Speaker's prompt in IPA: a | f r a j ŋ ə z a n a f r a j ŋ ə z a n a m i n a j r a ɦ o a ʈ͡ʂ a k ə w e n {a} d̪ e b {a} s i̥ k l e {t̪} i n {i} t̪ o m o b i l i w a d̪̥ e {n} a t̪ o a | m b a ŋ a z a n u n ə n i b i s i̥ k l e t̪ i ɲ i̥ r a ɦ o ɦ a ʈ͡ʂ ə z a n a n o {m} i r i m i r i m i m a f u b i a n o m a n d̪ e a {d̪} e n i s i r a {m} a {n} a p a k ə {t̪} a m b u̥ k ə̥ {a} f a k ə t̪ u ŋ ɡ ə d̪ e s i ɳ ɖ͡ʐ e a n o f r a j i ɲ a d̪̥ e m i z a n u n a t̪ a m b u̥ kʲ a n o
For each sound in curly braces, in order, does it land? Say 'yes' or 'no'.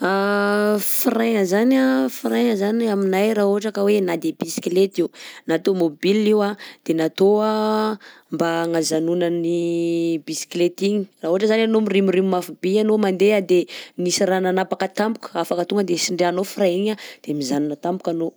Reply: yes, no, yes, no, yes, yes, yes, no, yes, yes, yes

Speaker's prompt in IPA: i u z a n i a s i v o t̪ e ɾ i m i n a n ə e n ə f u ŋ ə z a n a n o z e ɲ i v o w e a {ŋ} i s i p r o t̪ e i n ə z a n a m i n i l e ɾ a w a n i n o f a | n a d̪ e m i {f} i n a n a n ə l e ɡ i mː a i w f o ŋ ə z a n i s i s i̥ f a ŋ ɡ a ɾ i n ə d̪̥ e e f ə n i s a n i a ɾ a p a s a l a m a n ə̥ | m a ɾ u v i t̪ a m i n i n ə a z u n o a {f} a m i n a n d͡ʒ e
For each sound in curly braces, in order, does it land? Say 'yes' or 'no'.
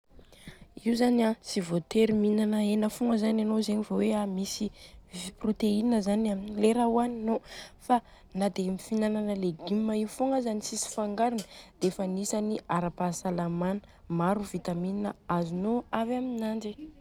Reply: no, yes, no

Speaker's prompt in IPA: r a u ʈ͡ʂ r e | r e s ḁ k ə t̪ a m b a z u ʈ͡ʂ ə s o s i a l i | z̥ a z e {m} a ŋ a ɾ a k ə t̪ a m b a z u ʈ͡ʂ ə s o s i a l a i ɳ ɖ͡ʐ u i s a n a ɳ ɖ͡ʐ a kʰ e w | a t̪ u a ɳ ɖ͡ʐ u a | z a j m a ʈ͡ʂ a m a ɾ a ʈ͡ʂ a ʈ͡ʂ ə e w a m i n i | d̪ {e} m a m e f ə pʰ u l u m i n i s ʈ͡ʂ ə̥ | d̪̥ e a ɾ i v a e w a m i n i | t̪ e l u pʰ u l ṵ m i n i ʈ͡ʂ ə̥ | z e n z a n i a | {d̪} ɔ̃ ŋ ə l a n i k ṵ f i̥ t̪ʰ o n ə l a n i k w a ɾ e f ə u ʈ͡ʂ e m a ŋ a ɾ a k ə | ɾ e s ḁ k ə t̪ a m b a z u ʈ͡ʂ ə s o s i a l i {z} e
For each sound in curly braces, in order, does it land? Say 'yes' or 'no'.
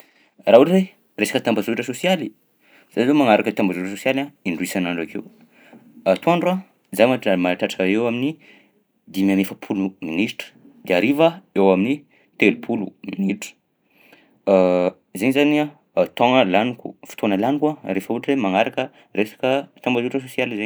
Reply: yes, no, no, yes

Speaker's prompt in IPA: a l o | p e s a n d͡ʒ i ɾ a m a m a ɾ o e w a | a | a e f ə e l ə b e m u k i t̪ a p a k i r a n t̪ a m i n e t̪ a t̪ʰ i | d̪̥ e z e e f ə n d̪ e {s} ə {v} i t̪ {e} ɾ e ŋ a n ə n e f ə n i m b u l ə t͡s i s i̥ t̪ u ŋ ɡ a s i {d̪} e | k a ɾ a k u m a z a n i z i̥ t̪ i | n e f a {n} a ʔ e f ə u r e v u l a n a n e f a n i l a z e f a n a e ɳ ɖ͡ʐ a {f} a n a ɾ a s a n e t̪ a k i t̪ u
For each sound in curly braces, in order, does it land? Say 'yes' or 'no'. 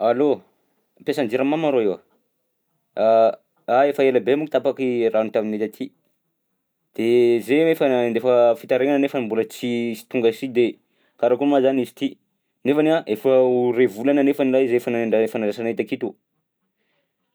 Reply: no, no, no, yes, yes, yes

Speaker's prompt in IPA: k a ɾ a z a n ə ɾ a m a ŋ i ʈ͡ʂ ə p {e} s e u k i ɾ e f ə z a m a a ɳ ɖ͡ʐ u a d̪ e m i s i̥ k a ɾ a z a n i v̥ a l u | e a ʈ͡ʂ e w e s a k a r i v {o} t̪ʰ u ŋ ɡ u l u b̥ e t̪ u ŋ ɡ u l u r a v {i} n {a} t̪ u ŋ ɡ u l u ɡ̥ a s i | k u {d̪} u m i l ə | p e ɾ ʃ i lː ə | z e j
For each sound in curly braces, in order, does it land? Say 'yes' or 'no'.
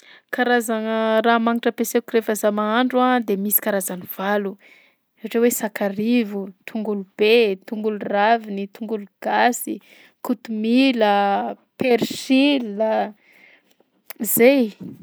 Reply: yes, no, yes, no, no

